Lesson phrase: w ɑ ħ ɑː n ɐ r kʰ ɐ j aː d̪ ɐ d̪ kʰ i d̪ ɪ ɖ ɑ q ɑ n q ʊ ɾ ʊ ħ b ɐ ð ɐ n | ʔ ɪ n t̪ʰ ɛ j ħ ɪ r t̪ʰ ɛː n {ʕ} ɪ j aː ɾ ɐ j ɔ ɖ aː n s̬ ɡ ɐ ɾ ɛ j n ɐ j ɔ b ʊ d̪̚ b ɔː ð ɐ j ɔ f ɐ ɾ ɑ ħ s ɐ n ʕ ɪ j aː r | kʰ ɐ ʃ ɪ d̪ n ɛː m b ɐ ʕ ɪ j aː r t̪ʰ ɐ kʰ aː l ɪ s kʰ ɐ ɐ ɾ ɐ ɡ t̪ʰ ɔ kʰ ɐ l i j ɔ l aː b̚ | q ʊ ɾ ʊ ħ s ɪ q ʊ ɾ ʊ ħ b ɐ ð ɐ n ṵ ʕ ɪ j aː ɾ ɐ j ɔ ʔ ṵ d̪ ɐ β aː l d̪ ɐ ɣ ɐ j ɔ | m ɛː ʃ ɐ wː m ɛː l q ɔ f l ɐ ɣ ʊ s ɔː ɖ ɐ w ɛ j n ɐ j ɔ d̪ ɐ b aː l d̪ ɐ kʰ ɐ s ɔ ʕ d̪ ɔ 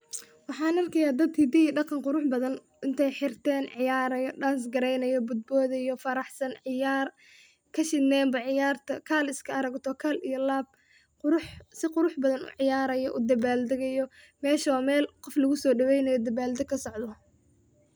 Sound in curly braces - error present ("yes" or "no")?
no